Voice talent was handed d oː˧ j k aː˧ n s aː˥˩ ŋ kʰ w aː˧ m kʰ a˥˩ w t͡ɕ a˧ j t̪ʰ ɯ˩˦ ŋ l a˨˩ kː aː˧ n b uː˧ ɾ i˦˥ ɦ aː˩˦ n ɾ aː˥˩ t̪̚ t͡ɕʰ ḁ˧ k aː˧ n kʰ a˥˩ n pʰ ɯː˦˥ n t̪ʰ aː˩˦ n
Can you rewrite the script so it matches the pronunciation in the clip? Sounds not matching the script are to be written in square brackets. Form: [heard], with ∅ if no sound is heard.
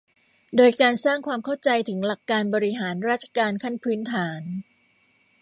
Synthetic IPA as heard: d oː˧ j k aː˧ n s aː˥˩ ŋ kʰ w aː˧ m kʰ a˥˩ w t͡ɕ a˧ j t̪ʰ ɯ˩˦ ŋ l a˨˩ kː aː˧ n b [ɔː˧] ɾ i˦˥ ɦ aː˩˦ n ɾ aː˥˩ t̪̚ t͡ɕʰ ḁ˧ k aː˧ n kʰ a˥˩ n pʰ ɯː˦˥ n t̪ʰ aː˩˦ n